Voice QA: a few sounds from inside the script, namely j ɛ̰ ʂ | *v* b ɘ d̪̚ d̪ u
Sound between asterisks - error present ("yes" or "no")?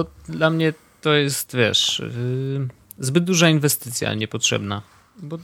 yes